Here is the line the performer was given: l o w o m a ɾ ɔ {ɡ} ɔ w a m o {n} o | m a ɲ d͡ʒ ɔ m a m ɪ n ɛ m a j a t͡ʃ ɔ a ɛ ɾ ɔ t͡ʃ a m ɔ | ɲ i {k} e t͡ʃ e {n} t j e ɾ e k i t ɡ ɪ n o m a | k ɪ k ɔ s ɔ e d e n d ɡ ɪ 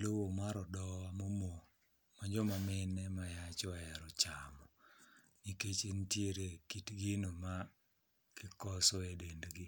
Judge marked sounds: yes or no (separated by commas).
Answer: no, no, yes, yes